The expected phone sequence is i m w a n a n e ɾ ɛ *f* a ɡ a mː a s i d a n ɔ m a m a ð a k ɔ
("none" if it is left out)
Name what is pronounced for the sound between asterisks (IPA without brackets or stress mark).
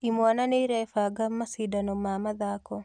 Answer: f